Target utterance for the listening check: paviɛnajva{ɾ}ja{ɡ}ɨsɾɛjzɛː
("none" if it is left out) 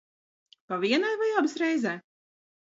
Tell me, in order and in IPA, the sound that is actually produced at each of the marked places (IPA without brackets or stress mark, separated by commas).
none, b